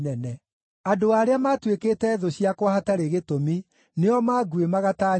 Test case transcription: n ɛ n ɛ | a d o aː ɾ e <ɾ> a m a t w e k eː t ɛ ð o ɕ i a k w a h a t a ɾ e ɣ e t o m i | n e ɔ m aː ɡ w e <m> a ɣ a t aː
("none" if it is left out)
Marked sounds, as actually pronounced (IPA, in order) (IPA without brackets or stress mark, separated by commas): none, m